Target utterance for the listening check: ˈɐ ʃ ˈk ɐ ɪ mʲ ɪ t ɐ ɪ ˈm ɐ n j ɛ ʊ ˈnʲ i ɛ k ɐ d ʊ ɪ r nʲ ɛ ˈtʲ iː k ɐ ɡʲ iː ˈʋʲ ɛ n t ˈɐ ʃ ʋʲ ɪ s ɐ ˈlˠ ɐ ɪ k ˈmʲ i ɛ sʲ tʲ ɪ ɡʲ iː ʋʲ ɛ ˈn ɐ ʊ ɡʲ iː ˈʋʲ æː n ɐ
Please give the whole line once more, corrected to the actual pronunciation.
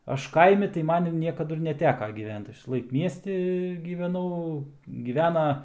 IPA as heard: ˈɐ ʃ ˈk ɐ ɪ mʲ ɪ t ɐ ɪ ˈm ɐ n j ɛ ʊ ˈnʲ i ɛ k ɐ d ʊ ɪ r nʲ ɛ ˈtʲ æː k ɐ ɡʲ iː ˈʋʲ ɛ n t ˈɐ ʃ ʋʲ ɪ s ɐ ˈlˠ ɐ ɪ k ˈmʲ i ɛ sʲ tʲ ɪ ɡʲ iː ʋʲ ɛ ˈn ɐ ʊ ɡʲ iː ˈʋʲ æː n ɐ